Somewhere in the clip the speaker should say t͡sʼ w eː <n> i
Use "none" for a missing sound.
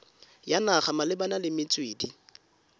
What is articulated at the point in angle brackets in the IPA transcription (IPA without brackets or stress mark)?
d